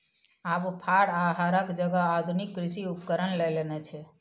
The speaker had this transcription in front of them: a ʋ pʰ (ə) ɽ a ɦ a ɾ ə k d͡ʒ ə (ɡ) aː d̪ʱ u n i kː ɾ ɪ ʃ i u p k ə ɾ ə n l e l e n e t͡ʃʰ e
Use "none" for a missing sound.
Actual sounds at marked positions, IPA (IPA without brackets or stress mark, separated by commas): a, ɡ